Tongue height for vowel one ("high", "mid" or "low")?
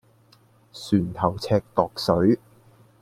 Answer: high